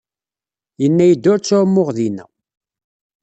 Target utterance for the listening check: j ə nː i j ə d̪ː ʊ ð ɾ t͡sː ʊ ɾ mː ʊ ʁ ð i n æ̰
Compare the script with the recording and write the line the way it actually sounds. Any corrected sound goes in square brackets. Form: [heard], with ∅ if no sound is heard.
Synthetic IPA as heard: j ə nː [æ] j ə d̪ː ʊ [∅] ɾ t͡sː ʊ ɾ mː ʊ ʁ ð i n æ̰